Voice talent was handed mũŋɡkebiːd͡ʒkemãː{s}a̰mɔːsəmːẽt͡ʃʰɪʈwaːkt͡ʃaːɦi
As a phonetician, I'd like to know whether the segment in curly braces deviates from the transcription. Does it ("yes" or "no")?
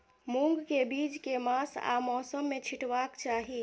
no